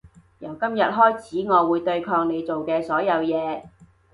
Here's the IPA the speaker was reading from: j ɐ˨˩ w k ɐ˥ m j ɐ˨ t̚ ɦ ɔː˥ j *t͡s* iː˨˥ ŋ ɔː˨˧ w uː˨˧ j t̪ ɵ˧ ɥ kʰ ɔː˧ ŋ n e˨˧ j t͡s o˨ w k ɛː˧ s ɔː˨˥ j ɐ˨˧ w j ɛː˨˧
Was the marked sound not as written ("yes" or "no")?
yes